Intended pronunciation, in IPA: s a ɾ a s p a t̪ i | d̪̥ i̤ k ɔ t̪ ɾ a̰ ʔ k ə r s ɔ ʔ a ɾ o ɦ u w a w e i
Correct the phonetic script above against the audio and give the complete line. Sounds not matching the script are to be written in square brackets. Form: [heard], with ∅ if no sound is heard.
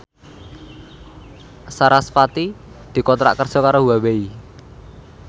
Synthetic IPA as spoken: s a ɾ a s p a t̪ i | d̪̥ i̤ k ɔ t̪ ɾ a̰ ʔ k ə r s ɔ [k] a ɾ o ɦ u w a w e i